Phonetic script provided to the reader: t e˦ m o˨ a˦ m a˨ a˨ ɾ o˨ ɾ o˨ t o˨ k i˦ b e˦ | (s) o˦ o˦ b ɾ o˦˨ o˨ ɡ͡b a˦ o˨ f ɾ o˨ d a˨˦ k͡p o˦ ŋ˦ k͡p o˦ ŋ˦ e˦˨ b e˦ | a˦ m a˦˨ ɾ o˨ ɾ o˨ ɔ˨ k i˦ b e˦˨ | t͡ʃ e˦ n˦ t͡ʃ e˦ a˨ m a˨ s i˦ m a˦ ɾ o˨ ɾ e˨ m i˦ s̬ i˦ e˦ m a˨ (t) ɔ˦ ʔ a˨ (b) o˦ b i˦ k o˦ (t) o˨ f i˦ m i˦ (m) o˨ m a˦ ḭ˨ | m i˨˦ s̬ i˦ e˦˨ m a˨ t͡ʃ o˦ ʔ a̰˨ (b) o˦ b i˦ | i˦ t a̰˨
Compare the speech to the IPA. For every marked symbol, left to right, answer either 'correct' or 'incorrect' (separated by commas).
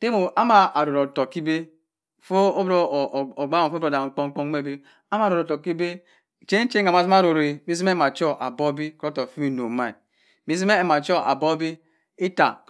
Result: incorrect, incorrect, correct, correct, incorrect, correct